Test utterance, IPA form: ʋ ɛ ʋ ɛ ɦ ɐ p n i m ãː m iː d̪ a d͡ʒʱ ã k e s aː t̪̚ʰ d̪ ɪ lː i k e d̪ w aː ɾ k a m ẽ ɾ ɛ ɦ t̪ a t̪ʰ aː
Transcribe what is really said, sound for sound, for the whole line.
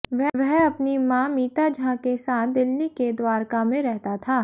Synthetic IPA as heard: ʋ ɛ ʋ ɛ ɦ ɐ p n i m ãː m iː t̪ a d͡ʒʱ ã k e s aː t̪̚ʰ d̪ ɪ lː i k e d̪ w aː ɾ k a m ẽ ɾ ɛ ɦ t̪ a t̪ʰ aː